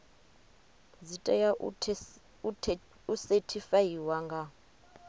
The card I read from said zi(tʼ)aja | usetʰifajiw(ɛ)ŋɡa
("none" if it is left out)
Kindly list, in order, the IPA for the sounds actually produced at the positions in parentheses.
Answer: tʼ, a

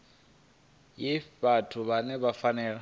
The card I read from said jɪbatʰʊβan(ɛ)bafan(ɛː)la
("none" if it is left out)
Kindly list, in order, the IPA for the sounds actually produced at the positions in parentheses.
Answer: ɛ, ɛː

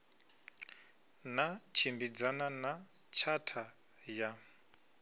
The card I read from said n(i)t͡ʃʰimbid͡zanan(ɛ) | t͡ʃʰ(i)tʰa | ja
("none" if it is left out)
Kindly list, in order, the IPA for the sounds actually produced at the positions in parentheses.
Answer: a, a, a

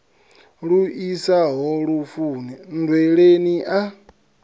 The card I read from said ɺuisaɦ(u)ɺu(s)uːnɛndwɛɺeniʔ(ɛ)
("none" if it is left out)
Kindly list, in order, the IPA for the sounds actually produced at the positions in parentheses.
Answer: ɔ, f, a

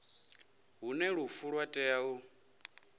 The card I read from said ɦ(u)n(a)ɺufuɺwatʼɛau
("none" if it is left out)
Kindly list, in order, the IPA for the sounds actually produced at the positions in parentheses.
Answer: u, ɛ

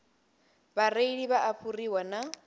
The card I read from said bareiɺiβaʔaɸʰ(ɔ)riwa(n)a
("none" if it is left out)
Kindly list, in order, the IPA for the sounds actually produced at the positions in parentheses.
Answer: u, n

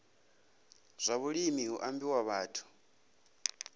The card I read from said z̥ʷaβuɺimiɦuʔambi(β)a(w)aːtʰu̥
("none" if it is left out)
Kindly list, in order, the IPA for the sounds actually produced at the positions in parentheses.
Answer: w, β

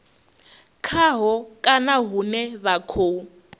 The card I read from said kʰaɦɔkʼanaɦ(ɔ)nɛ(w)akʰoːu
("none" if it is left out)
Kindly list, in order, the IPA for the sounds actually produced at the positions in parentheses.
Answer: u, β

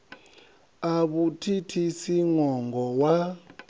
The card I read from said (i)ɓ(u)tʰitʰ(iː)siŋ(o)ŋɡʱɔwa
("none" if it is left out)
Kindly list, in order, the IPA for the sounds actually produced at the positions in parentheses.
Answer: a, u, i, ɔ

